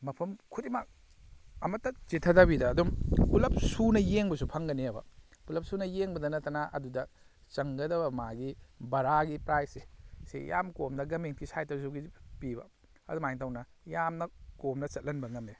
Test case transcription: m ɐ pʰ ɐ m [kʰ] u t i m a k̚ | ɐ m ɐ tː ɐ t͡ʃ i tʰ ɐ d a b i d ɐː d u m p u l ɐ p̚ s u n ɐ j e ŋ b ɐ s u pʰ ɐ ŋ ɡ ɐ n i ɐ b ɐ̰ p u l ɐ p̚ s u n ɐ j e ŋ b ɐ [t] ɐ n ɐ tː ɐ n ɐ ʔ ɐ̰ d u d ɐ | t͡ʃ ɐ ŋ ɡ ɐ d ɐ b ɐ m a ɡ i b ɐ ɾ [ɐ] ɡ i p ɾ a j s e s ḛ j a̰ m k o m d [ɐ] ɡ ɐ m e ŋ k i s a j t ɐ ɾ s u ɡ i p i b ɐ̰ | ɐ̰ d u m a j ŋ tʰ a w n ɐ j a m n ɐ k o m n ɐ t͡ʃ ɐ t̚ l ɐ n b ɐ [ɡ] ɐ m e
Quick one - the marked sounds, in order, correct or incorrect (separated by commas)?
correct, incorrect, incorrect, correct, incorrect